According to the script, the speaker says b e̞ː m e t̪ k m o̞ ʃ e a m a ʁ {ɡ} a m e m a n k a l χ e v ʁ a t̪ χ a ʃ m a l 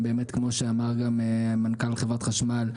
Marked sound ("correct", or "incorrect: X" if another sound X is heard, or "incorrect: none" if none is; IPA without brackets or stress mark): correct